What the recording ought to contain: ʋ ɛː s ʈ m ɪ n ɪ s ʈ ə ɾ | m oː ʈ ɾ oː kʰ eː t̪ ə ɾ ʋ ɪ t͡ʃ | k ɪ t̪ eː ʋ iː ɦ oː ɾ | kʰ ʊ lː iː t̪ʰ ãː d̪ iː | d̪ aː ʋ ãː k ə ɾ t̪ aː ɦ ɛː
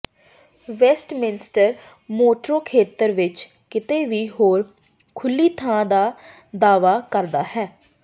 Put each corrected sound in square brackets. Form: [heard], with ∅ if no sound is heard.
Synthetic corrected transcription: ʋ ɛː s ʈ m ɪ n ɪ s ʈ ə ɾ | m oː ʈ ɾ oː kʰ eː t̪ ə ɾ ʋ ɪ t͡ʃ | k ɪ t̪ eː ʋ iː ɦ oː ɾ | kʰ ʊ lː iː t̪ʰ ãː d̪ [aː] | d̪ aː ʋ [aː] k ə ɾ [d̪] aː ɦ ɛː